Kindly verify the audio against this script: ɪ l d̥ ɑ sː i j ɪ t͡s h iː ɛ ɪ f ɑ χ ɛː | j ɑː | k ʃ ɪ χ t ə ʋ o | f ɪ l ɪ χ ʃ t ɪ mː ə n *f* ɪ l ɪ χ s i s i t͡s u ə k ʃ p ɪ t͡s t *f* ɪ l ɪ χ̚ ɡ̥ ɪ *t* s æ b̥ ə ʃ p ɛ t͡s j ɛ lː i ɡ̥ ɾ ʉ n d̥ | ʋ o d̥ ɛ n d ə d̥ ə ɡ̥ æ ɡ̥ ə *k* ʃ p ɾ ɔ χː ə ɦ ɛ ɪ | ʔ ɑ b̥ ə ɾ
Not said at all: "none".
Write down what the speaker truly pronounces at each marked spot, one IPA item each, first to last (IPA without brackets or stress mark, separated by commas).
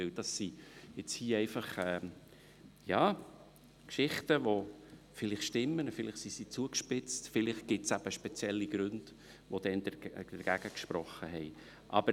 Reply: f, f, t, k